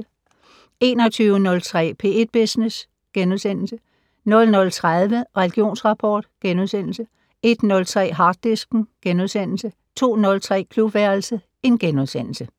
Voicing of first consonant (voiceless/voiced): voiced